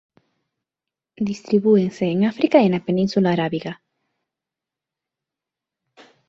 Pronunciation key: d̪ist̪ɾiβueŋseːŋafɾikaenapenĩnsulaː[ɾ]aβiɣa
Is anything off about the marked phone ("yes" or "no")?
no